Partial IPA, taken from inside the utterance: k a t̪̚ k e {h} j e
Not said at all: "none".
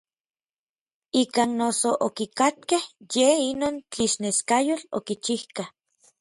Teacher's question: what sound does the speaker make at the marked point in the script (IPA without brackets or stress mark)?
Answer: h